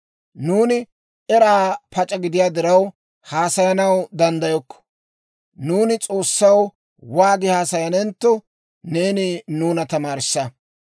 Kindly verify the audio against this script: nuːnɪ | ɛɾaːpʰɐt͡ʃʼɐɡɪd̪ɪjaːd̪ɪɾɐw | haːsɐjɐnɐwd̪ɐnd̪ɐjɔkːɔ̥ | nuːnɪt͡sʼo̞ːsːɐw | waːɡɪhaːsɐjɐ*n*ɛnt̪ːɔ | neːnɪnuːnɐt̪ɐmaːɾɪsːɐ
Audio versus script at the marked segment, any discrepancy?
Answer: no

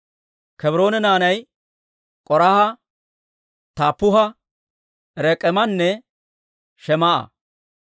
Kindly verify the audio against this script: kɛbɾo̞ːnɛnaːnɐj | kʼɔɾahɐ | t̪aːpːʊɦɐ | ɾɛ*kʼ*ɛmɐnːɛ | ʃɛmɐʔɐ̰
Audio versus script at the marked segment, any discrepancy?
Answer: no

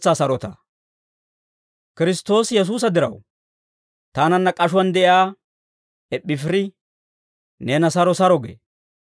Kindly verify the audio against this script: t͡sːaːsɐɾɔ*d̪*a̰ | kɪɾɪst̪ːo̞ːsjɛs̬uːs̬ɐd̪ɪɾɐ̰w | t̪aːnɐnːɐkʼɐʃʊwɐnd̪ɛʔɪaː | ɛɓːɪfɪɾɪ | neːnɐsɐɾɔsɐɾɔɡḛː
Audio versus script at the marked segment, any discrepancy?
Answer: yes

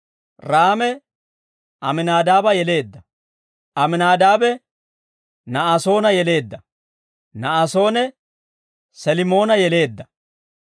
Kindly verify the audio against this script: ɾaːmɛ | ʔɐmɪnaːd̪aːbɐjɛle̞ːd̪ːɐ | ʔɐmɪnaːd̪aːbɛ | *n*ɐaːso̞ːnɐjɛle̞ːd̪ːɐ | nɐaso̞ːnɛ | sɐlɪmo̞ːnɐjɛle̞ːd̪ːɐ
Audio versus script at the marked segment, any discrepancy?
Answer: no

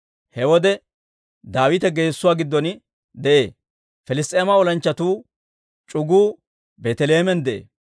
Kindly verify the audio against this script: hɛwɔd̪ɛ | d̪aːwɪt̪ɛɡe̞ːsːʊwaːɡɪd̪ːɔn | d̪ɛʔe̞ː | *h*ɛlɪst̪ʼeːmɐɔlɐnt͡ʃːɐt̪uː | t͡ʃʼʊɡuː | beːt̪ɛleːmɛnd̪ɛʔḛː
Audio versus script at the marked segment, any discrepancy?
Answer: yes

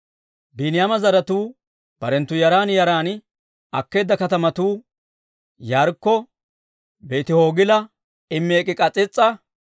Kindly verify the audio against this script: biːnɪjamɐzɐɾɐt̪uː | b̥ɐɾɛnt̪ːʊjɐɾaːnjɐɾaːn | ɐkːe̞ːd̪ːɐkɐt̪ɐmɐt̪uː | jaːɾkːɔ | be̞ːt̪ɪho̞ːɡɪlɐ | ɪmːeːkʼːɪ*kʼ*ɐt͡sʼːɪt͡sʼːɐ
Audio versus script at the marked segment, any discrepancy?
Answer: no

